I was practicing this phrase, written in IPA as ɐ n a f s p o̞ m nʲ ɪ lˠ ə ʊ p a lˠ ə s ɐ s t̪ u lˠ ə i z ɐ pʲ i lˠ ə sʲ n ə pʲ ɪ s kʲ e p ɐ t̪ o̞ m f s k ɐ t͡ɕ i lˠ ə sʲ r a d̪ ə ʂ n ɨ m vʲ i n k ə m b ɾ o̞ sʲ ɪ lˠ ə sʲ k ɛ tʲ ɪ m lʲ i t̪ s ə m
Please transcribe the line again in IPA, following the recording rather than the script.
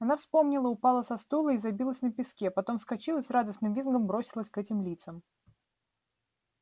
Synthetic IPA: ɐ n a f s p o̞ m nʲ ɪ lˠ ə ʊ p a lˠ ə s ɐ s t̪ u lˠ ə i z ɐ bʲ i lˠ ə sʲ n ə pʲ ɪ s kʲ e p ɐ t̪ o̞ m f s k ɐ t͡ɕ i lˠ ə sʲ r a d̪ ə s n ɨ m vʲ i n ɡ ə m b ɾ o̞ sʲ ɪ lˠ ə sʲ k ɛ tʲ ɪ m lʲ i t̪ s ə m